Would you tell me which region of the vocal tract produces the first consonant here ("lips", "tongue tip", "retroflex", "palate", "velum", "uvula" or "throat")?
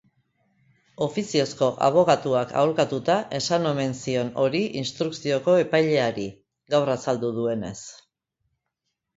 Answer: lips